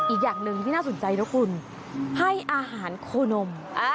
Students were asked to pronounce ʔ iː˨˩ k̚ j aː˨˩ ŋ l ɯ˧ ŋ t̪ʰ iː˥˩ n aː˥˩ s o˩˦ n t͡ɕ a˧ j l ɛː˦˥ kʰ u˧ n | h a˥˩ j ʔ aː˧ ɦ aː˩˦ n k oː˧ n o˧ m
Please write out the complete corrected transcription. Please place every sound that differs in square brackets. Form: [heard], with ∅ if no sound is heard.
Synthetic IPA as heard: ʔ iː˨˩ k̚ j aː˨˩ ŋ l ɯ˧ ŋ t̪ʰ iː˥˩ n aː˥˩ s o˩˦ n t͡ɕ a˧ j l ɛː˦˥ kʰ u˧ n | h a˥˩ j ʔ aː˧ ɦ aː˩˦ n [kʰ] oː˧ n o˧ m